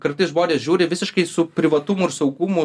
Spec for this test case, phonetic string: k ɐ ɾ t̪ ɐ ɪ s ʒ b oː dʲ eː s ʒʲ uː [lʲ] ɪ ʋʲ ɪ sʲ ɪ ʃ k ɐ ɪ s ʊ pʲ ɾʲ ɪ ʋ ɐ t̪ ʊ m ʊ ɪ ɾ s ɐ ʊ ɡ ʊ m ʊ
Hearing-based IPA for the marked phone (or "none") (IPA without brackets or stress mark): ɾʲ